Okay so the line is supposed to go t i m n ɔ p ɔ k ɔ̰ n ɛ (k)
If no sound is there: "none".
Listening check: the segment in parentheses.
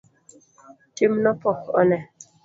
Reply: none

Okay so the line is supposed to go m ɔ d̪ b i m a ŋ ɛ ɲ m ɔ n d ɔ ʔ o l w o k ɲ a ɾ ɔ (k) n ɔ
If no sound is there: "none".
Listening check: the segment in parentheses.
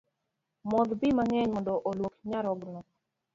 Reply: ɡ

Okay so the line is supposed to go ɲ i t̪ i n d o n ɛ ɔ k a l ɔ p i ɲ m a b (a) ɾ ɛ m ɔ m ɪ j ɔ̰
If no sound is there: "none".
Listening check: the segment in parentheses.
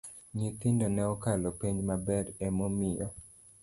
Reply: ɛ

